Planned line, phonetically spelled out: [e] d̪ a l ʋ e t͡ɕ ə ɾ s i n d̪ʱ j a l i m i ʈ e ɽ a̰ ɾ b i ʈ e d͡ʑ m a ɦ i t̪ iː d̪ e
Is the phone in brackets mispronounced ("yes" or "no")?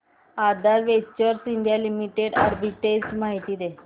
yes